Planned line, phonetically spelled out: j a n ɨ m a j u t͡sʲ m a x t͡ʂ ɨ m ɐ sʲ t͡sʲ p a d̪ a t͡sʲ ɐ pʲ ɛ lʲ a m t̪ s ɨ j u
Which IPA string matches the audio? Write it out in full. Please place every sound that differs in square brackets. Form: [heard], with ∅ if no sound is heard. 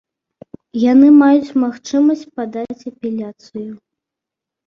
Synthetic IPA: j a n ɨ m a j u t͡sʲ m a x t͡ʂ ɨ m ɐ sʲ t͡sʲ p a d̪ a t͡sʲ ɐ pʲ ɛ lʲ a [∅] t̪ s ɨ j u

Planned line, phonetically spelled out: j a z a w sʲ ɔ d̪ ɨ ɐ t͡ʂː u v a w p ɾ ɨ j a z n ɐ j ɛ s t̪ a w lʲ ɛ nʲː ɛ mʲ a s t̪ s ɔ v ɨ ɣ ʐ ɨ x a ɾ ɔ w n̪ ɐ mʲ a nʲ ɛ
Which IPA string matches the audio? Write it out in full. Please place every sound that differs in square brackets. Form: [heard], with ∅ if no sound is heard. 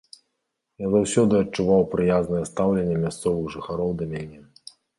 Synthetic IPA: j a z a w sʲ ɔ d̪ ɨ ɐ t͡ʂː u v a w p ɾ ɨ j a z n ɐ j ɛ s t̪ a w lʲ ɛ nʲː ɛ mʲ a s t̪ s ɔ v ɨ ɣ ʐ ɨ x a ɾ ɔ w [d̪] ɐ mʲ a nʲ ɛ

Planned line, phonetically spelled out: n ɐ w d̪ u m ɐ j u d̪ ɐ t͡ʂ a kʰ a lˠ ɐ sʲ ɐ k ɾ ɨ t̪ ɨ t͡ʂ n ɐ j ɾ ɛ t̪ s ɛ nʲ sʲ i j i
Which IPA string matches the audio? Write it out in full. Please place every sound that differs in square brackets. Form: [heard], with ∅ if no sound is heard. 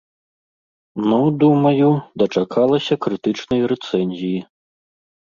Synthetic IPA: n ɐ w d̪ u m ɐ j u d̪ ɐ t͡ʂ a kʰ a lˠ ɐ sʲ ɐ k ɾ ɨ t̪ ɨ t͡ʂ n ɐ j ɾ ɛ t̪ s ɛ nʲ [zʲ] i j i

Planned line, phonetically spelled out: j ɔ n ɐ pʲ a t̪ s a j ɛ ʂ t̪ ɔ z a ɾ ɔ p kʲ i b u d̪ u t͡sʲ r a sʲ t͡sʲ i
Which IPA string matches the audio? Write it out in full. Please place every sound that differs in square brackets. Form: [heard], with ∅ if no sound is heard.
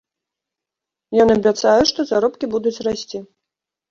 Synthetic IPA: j ɔ n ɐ [bʲ] a t̪ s a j ɛ ʂ t̪ ɔ z a ɾ ɔ p kʲ i b u d̪ u t͡sʲ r a sʲ t͡sʲ i

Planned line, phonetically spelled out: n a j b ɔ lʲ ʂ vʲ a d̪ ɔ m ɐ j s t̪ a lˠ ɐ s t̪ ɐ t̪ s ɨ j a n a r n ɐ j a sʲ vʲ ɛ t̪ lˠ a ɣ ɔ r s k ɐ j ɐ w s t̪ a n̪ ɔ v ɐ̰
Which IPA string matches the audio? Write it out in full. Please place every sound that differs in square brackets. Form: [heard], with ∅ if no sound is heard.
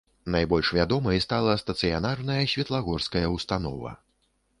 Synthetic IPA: n a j b ɔ lʲ ʂ vʲ a d̪ ɔ m ɐ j s t̪ a lˠ ɐ s t̪ ɐ t̪ s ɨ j a n a r n ɐ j [ɐ] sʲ vʲ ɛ t̪ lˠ a ɣ ɔ r s k ɐ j ɐ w s t̪ a n̪ ɔ v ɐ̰

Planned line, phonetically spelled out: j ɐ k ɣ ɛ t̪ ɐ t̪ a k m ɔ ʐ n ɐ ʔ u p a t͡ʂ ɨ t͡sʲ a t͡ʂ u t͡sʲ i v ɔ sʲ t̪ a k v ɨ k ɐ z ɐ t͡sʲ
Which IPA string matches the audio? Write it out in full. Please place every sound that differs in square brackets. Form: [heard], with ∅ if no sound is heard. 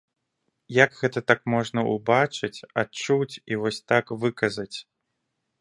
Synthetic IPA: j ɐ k ɣ ɛ t̪ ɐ t̪ a k m ɔ ʐ n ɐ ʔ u [b] a t͡ʂ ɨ t͡sʲ a t͡ʂ u t͡sʲ i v ɔ sʲ t̪ a k v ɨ k ɐ z ɐ t͡sʲ

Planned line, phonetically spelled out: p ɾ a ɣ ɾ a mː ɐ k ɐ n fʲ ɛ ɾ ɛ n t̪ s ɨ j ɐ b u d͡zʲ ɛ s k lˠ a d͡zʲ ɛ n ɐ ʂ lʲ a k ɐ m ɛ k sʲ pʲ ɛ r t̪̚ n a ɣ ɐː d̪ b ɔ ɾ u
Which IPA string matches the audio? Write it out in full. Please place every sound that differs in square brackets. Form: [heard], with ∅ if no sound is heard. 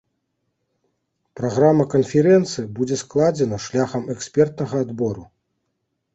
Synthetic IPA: p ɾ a ɣ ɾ a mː ɐ k ɐ n fʲ ɛ ɾ ɛ n t̪ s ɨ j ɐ b u d͡zʲ ɛ s k lˠ a d͡zʲ ɛ n ɐ ʂ lʲ a [x] ɐ m ɛ k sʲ pʲ ɛ r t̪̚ n [ɐ] ɣ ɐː d̪ b ɔ ɾ u

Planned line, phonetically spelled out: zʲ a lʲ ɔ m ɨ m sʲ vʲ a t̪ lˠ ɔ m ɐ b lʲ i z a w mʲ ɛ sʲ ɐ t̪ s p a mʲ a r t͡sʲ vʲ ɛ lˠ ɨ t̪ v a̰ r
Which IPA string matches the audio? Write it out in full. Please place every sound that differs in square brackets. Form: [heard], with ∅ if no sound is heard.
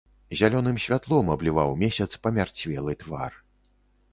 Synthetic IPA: zʲ a lʲ ɔ [n] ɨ m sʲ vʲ a t̪ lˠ ɔ m ɐ b lʲ i [v] a w mʲ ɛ sʲ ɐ t̪ s p [ɐ] mʲ a r t͡sʲ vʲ ɛ lˠ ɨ t̪ v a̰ r

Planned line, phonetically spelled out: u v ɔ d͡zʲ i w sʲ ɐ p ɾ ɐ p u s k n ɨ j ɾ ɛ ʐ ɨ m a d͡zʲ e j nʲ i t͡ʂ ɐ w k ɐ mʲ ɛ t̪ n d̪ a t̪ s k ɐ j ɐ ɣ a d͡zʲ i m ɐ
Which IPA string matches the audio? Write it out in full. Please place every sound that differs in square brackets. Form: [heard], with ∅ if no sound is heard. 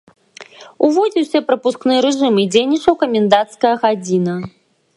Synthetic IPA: u v ɔ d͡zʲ i w sʲ ɐ p ɾ ɐ p u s k n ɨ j ɾ ɛ ʐ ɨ m [i] d͡zʲ e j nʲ i t͡ʂ ɐ w k ɐ mʲ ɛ [∅] n d̪ a t̪ s k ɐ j ɐ ɣ a d͡zʲ i [n] ɐ

